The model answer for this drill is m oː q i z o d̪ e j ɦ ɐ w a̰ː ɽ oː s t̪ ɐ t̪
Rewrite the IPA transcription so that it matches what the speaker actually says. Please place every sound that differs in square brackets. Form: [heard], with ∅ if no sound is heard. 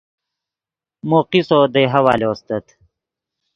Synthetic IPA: m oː q i [s] o d̪ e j ɦ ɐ w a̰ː [l] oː s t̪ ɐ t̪